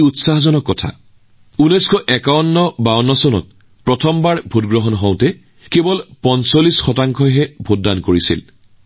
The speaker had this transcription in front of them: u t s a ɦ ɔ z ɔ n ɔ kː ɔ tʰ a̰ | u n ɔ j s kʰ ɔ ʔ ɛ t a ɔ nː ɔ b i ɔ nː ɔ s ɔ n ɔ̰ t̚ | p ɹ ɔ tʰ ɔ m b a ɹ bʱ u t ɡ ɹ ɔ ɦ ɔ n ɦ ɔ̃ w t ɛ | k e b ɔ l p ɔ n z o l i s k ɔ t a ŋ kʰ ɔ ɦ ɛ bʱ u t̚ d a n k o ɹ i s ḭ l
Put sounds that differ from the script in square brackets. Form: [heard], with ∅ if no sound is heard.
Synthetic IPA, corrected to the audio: u t s a ɦ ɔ z ɔ n ɔ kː ɔ tʰ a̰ | u n ɔ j s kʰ ɔ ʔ ɛ [k] a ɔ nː ɔ b [a] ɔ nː ɔ s ɔ n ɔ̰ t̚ | p ɹ ɔ tʰ ɔ m b a ɹ bʱ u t ɡ ɹ ɔ ɦ ɔ n ɦ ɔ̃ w t ɛ | k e b ɔ l p ɔ n [s] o l i s [x] ɔ t a ŋ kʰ ɔ ɦ ɛ bʱ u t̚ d a n k o ɹ i s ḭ l